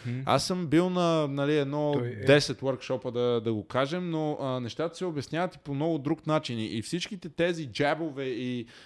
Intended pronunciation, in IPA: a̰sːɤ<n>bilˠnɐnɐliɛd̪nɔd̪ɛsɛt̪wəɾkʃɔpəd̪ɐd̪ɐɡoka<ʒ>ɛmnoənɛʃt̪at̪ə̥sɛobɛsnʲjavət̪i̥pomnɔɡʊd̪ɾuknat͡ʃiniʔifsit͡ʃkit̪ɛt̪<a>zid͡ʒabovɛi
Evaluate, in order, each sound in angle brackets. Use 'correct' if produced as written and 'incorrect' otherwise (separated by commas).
incorrect, correct, incorrect